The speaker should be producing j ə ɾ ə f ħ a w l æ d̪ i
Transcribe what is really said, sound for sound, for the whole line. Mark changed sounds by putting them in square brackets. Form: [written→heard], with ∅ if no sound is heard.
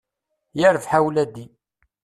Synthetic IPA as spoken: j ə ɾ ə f ħ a w l æ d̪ i